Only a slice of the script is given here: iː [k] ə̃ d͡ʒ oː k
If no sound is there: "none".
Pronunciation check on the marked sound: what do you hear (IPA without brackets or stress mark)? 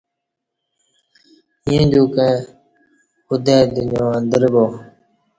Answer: none